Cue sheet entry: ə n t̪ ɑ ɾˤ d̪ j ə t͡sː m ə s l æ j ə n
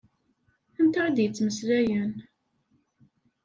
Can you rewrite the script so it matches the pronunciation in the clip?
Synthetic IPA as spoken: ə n t̪ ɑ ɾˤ d̪ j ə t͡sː m ə s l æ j ə n